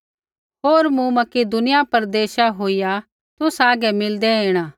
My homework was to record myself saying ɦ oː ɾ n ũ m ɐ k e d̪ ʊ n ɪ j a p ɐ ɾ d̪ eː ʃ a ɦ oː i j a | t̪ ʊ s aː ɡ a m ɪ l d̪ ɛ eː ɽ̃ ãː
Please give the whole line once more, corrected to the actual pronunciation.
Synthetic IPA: ɦ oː ɾ m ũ m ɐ k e d̪ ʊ n ɪ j a p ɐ ɾ d̪ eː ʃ a ɦ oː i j a | t̪ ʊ s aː ɡ ɛ m ɪ l d̪ ɛ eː ɽ̃ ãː